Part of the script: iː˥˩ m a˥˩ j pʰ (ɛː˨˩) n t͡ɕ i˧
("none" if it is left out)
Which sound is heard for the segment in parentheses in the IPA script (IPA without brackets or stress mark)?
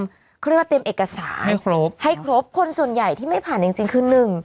aː˨˩